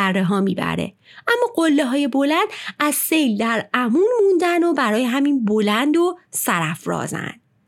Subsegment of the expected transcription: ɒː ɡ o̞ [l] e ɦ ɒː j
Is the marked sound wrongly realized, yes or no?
yes